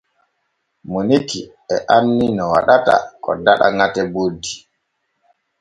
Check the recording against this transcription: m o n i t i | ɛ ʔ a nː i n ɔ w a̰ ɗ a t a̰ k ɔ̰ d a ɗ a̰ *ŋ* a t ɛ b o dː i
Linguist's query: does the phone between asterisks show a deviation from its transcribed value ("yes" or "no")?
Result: no